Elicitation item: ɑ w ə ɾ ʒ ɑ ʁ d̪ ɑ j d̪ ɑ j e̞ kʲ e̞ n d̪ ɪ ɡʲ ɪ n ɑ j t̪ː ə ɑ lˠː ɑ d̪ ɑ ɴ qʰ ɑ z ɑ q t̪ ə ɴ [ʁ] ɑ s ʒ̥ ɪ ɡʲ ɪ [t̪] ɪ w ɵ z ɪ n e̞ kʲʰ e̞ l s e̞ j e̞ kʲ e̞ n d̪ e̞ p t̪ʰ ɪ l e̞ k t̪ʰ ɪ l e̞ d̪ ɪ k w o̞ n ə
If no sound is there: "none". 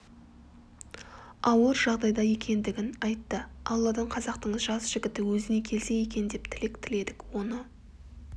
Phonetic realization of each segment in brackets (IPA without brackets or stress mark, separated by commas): ʒ, t̪